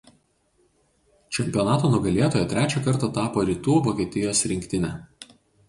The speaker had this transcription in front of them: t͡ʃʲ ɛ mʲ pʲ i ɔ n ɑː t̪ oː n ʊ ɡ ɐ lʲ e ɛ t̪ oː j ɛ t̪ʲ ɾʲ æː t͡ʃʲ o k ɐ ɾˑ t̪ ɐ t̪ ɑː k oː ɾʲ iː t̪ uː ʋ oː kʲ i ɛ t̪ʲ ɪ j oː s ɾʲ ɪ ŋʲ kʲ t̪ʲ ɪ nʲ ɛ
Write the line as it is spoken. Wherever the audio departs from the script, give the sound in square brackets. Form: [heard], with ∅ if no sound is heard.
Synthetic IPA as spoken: t͡ʃʲ ɛ mʲ pʲ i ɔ n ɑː t̪ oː n ʊ ɡ ɐ lʲ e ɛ t̪ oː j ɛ t̪ʲ ɾʲ æː t͡ʃʲ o k ɐ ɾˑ t̪ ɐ t̪ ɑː [p] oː ɾʲ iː t̪ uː ʋ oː kʲ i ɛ t̪ʲ ɪ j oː s ɾʲ ɪ ŋʲ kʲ t̪ʲ ɪ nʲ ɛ